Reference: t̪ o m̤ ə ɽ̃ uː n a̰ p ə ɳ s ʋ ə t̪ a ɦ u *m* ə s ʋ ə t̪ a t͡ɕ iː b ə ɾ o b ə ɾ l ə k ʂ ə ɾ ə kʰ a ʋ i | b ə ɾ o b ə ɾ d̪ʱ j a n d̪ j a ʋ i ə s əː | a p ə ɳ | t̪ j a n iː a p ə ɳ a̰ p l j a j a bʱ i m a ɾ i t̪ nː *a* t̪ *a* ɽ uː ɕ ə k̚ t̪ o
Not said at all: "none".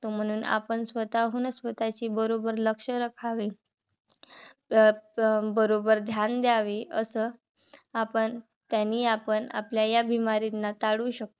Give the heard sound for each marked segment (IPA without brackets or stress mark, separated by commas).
n, a, a